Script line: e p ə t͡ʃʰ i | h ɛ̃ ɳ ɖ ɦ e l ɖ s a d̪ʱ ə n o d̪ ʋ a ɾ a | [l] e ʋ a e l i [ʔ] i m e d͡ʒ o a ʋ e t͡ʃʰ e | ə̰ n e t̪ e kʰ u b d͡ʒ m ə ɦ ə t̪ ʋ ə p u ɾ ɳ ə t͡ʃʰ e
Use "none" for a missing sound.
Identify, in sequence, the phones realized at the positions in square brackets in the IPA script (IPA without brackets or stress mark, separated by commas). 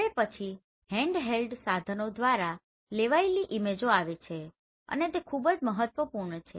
l, ʔ